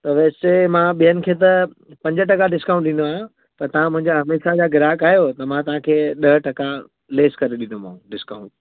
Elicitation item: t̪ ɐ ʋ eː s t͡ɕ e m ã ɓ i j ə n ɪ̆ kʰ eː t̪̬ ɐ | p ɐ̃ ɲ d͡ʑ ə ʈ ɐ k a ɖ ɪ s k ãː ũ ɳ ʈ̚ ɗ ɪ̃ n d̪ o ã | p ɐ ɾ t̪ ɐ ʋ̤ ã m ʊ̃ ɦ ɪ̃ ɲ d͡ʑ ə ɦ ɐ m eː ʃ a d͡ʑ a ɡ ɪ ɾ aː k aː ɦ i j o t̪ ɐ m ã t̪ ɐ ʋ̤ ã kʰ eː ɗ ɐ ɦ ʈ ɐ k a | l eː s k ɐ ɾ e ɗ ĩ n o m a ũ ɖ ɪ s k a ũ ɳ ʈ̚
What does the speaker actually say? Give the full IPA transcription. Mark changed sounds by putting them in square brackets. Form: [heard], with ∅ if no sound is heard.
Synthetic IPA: t̪ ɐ ʋ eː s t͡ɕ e m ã ɓ i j ə n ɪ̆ kʰ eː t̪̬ ɐ | p ɐ̃ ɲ d͡ʑ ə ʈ ɐ k a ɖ ɪ s k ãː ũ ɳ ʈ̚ ɗ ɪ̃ n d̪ o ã | p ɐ ɾ t̪ ɐ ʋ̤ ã m ʊ̃ ɦ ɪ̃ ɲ d͡ʑ [a] ɦ ɐ m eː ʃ a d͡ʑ a ɡ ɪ ɾ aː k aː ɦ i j o t̪ ɐ m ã t̪ ɐ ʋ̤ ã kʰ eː ɗ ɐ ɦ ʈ ɐ k a | l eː s k ɐ ɾ e ɗ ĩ n o m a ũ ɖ ɪ s k a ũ ɳ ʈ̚